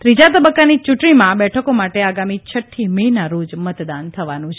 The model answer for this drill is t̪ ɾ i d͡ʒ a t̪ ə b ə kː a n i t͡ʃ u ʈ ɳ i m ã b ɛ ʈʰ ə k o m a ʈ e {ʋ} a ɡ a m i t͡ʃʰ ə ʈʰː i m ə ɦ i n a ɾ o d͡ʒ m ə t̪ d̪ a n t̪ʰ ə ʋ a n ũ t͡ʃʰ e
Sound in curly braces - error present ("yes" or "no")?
yes